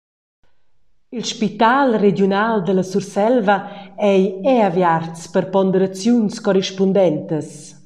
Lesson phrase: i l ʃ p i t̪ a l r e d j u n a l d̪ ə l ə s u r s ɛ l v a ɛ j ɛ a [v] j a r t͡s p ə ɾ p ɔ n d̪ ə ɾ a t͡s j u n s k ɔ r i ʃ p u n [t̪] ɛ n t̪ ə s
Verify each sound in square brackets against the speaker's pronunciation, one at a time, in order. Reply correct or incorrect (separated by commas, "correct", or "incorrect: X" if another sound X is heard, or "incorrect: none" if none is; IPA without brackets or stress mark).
correct, incorrect: d̪